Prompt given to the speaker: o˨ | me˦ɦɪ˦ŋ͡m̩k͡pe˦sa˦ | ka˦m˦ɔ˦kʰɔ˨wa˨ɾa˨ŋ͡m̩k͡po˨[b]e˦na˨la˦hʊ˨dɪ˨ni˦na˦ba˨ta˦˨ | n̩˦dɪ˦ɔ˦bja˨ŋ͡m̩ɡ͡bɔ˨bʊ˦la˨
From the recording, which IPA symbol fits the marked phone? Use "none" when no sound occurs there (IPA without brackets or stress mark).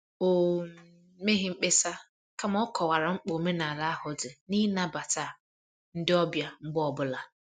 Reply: m